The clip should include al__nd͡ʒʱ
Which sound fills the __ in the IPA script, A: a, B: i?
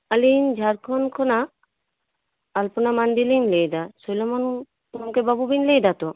B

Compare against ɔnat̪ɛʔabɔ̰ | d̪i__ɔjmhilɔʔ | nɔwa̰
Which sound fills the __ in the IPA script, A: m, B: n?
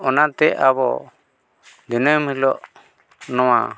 B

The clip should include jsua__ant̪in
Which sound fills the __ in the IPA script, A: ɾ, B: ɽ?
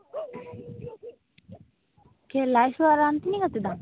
A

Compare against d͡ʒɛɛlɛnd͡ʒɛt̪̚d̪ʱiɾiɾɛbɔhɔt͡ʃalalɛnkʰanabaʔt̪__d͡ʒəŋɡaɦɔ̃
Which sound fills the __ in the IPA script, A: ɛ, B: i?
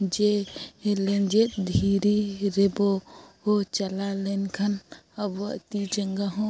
B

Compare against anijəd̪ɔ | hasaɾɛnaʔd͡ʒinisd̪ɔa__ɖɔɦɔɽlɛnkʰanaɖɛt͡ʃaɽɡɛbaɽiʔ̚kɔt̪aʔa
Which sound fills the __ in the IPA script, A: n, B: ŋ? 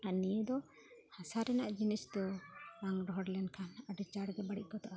B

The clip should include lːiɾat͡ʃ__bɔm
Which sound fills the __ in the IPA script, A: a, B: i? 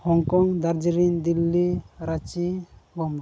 B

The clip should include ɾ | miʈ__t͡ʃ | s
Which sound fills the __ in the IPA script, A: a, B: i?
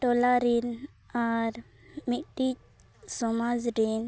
B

